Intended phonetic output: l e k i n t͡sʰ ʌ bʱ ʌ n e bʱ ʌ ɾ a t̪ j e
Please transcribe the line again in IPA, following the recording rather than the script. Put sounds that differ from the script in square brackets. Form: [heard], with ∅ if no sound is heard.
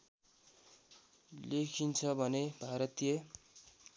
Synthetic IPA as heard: l e [kʰ] i n t͡sʰ ʌ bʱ ʌ n e bʱ [a] ɾ [ʌ] t̪ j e